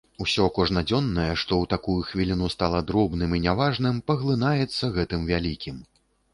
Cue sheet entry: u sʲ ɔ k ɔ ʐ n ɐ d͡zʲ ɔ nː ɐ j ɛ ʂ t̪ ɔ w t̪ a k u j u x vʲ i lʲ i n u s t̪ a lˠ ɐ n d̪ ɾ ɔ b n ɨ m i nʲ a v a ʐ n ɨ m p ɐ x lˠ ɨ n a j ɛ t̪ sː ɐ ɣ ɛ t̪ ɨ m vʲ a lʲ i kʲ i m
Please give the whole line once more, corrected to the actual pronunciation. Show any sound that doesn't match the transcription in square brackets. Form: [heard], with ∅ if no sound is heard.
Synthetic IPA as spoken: u sʲ ɔ k ɔ ʐ n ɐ d͡zʲ ɔ nː ɐ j ɛ ʂ t̪ ɔ w t̪ a k u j u x vʲ i lʲ i n u s t̪ a lˠ ɐ [∅] d̪ ɾ ɔ b n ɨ m i nʲ a v a ʐ n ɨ m p ɐ [ɣ] lˠ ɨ n a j ɛ t̪ sː ɐ ɣ ɛ t̪ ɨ m vʲ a lʲ i kʲ i m